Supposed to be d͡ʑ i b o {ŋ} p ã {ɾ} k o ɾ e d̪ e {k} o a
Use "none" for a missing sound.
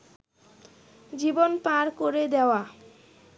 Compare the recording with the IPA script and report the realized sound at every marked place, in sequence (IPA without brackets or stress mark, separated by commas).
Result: n, ɾ, none